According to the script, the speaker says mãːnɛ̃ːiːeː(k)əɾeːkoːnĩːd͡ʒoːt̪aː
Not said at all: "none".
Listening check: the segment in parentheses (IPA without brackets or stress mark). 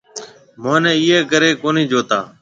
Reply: k